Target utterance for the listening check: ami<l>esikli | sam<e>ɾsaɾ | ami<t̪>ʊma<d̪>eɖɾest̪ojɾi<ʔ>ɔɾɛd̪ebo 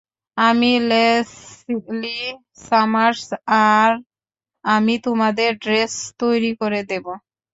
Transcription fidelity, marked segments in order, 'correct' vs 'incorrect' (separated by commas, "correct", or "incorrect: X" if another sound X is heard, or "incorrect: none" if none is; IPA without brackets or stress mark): correct, incorrect: a, correct, correct, incorrect: k